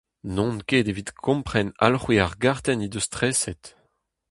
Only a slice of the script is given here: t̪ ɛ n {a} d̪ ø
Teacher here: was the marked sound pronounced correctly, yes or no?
no